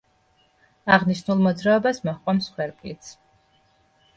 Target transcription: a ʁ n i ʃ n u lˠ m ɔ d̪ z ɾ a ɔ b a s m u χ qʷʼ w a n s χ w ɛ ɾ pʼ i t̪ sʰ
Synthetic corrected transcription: a ʁ n i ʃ n u lˠ m ɔ d̪ z ɾ a ɔ b a s m ɔ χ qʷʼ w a m s χ w ɛ ɾ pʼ i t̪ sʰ